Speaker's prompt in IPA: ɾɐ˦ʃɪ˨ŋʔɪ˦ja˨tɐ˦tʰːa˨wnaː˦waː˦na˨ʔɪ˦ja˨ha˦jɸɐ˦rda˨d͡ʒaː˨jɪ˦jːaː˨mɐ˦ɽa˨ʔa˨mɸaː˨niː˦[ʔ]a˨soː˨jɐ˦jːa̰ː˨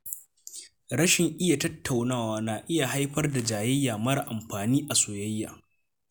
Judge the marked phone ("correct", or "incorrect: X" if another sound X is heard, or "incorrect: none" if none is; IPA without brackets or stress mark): correct